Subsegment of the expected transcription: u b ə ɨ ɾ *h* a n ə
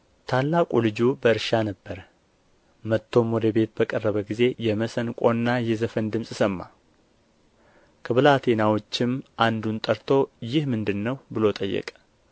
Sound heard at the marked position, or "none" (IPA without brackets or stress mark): ʃ